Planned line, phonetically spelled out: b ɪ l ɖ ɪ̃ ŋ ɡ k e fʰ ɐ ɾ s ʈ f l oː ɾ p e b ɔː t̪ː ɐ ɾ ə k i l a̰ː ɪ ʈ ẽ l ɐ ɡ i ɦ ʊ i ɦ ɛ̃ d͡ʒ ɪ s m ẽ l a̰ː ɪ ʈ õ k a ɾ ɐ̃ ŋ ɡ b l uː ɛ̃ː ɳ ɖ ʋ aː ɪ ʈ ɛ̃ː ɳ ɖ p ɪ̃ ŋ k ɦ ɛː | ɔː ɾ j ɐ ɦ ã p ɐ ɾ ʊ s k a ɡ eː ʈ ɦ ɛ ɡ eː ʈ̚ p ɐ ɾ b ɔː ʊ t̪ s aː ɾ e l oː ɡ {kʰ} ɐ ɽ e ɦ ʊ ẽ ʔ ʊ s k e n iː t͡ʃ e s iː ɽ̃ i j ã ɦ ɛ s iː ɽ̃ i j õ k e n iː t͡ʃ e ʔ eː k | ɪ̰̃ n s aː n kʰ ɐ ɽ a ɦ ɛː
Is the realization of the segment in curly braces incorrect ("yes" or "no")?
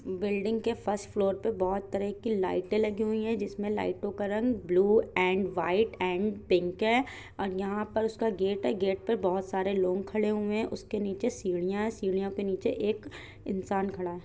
no